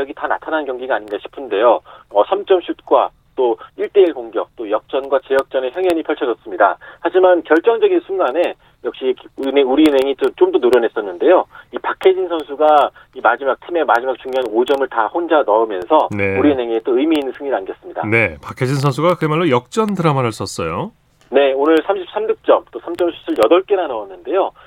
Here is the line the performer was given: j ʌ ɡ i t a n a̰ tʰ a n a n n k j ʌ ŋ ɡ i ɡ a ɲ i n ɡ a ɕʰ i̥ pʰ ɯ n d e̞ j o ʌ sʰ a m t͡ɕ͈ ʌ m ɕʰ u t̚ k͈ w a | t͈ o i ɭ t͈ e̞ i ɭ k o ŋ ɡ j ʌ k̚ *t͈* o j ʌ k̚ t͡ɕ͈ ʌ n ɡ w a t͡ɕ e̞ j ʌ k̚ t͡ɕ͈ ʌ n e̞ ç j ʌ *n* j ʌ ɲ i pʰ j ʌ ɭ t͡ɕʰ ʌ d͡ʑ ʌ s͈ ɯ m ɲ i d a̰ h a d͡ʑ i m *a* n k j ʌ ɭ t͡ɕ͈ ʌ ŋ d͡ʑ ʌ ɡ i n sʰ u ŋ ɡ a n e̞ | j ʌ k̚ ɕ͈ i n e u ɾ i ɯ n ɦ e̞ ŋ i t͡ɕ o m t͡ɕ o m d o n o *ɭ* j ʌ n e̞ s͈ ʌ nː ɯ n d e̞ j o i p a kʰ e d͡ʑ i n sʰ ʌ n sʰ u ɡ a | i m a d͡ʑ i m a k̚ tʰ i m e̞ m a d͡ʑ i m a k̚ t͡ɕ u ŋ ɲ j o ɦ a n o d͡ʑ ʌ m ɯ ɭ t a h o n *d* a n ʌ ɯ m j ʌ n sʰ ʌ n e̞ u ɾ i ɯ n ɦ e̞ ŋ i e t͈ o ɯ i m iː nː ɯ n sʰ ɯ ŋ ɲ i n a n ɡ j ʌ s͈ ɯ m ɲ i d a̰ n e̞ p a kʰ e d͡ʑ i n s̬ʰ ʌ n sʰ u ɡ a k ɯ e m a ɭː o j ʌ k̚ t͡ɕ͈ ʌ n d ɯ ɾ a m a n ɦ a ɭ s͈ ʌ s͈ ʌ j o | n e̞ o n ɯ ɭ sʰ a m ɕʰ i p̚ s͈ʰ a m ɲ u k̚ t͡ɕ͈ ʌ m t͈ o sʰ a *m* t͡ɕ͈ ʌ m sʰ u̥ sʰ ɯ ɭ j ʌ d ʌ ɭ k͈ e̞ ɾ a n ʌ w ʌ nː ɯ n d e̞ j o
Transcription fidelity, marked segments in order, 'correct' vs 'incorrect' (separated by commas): correct, incorrect, correct, incorrect, incorrect, correct